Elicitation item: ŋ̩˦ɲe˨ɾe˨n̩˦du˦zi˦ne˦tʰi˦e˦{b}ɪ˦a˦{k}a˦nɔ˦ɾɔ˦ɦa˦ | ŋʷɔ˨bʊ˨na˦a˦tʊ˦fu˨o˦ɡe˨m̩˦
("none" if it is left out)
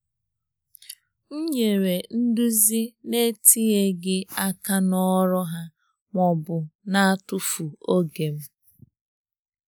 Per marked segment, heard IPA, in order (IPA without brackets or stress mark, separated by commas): ɡ, k